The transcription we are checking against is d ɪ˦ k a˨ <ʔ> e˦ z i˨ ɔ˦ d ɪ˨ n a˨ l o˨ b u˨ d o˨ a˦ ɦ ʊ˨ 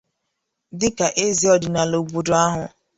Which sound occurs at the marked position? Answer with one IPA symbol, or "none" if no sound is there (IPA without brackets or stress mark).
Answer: ʔ